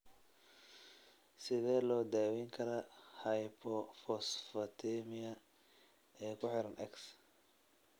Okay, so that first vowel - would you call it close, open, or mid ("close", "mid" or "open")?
close